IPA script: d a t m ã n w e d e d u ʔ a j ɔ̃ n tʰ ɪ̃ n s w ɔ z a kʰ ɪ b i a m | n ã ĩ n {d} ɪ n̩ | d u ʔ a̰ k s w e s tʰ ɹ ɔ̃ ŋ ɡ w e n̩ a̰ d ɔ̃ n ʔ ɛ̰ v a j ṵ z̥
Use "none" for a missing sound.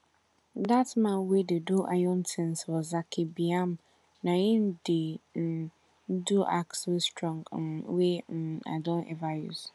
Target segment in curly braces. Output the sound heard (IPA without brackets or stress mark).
d